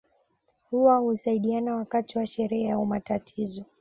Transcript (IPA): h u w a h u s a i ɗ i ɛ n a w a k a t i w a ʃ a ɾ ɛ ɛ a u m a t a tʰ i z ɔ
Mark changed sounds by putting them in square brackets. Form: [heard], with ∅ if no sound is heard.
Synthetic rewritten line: h u w a h u s a i ɗ i [a] n a w a k a t i w a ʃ [ɛ] ɾ ɛ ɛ a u m a t a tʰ i z ɔ